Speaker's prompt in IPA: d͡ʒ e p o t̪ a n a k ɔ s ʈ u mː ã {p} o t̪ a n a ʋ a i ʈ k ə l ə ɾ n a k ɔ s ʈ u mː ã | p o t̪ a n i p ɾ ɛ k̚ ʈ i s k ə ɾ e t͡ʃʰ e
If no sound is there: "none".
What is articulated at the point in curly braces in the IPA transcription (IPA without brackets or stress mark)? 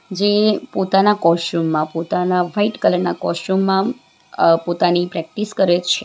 p